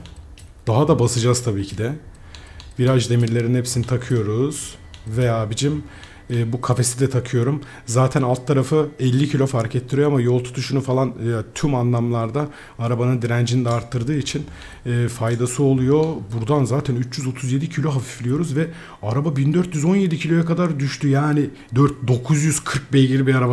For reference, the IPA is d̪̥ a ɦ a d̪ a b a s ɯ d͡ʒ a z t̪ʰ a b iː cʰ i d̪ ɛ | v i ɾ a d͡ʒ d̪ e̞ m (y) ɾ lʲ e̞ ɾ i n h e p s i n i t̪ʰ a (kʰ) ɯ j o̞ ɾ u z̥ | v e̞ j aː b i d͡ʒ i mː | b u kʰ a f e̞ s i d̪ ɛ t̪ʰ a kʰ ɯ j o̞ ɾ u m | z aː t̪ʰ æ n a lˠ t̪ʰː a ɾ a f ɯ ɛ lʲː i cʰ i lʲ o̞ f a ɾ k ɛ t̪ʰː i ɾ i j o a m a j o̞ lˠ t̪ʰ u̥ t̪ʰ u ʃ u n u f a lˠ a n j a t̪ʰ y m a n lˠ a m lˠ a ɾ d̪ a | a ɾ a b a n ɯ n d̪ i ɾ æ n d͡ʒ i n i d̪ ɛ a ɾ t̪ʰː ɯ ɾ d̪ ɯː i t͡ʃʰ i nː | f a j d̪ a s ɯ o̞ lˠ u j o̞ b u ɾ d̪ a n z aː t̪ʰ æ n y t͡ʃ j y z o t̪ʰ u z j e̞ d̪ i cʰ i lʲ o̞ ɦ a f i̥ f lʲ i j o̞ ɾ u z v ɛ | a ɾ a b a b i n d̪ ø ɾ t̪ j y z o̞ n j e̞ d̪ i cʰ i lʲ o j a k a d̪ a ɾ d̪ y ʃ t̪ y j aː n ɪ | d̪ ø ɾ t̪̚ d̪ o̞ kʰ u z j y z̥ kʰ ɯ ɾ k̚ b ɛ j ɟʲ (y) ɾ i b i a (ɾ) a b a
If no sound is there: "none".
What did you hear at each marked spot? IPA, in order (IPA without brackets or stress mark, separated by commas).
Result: i, kʰ, i, ɾ